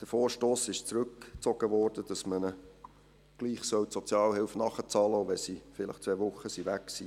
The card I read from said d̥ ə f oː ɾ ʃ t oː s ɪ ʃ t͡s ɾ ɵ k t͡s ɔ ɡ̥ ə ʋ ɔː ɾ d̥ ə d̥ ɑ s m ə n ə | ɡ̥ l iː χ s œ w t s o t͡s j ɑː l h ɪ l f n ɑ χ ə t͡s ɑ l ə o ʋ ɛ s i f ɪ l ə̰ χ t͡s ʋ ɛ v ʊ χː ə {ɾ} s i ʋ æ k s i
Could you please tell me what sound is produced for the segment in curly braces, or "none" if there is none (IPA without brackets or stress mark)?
none